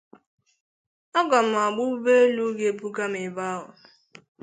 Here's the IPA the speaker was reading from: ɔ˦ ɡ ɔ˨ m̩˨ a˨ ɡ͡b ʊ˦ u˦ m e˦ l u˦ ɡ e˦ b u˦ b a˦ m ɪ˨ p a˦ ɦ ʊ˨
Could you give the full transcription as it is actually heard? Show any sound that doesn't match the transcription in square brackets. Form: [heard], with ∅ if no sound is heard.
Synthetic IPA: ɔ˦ ɡ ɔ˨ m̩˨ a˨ ɡ͡b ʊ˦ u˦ [b] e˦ l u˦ ɡ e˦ b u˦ [ɡ] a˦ m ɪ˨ [b] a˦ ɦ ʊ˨